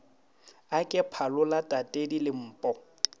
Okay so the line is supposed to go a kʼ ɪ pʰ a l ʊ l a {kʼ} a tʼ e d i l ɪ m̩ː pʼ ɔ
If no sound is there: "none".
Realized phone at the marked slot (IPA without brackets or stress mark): tʼ